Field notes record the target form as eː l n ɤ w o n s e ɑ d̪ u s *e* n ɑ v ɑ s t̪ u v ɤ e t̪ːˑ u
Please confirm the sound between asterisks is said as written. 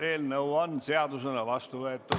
yes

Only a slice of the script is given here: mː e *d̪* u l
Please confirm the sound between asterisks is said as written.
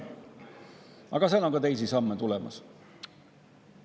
no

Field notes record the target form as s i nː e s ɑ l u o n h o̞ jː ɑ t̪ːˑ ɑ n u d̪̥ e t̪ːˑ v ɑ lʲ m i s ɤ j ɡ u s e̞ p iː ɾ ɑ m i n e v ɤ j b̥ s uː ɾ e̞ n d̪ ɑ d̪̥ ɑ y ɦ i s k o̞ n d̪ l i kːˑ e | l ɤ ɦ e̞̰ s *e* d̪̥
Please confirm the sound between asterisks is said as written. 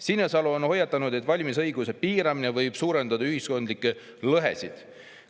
no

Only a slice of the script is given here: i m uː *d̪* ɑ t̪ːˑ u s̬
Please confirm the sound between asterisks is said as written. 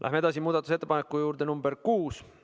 yes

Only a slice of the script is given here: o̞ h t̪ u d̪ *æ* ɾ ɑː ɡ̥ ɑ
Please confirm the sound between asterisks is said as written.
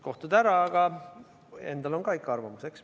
yes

